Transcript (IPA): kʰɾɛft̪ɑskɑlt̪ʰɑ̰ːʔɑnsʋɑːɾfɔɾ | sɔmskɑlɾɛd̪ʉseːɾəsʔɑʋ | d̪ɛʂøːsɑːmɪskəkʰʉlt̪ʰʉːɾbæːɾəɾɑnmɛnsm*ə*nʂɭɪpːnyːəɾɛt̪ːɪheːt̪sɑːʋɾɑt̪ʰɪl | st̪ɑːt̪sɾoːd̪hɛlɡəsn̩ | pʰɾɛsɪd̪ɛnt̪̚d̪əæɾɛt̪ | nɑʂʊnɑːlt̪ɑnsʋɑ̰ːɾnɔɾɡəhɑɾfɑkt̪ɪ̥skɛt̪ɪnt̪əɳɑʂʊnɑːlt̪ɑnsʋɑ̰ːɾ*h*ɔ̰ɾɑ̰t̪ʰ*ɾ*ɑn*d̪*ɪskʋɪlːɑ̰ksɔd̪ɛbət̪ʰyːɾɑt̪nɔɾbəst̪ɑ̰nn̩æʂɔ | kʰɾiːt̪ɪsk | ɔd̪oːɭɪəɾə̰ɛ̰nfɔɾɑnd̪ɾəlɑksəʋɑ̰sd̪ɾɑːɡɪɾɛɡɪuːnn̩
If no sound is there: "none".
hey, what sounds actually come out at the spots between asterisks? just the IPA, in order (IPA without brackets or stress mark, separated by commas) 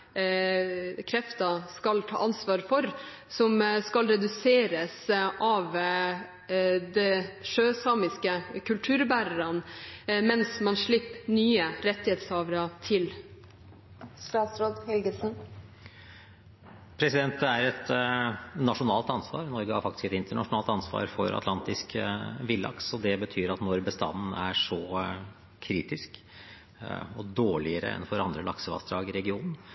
ɑ, f, l, t̪